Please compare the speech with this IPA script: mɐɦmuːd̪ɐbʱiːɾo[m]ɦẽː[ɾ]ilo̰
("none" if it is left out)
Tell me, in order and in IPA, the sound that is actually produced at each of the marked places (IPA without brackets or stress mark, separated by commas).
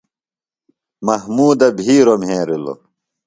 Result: m, ɾ